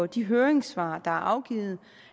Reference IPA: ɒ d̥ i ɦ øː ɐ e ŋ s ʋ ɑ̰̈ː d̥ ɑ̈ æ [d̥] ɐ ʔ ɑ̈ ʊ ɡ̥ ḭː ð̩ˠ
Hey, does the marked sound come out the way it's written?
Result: no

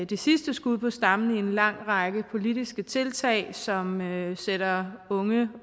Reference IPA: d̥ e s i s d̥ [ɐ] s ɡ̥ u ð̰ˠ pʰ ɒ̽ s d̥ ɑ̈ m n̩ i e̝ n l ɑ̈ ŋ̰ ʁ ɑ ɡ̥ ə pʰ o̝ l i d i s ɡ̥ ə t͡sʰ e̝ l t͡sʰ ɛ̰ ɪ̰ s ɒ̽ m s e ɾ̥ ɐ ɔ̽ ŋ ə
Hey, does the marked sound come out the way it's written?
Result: no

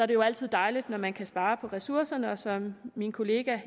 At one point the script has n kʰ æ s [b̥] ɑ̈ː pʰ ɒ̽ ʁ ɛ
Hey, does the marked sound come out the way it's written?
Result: yes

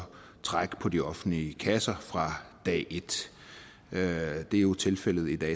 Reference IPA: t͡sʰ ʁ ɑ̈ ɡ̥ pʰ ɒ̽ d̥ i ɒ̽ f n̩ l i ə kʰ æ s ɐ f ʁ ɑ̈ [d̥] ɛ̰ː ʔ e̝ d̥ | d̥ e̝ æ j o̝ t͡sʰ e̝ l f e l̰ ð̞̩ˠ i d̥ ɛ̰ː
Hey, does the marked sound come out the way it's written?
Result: yes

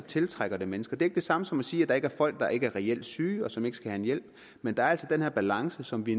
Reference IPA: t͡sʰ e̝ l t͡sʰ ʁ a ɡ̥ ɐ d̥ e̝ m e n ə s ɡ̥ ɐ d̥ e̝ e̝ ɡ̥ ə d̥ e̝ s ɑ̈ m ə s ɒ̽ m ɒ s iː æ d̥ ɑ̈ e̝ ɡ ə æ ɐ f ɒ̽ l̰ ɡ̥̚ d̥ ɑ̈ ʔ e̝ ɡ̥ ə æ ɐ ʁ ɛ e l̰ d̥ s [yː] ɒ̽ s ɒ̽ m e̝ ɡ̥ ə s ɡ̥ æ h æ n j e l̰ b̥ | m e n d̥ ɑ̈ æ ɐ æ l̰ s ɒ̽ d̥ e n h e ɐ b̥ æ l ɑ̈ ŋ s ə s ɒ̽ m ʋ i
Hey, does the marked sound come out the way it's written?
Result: yes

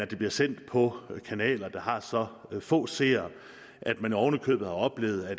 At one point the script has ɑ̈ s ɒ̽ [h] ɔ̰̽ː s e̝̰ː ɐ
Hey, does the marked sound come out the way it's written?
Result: no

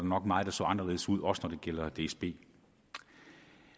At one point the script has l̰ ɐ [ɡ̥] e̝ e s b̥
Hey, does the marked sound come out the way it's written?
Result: no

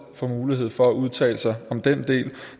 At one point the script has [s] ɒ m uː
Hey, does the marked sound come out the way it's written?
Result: no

